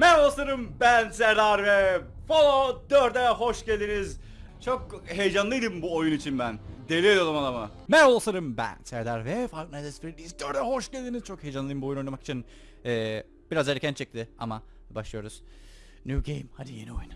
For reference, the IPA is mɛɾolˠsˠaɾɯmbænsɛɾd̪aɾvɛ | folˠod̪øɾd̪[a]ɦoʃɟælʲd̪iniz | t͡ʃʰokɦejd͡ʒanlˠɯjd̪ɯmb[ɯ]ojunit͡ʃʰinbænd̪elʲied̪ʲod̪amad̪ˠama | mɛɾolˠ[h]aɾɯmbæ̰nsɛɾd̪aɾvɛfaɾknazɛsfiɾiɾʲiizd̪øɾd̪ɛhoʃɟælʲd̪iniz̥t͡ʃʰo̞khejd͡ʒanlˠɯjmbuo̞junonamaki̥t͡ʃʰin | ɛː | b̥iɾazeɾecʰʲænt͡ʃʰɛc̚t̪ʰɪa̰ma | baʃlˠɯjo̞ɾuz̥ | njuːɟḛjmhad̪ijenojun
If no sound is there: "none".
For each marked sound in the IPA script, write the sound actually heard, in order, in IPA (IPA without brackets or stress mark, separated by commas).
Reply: ɛ, u, s